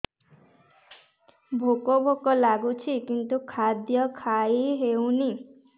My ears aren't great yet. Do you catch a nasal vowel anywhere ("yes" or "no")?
no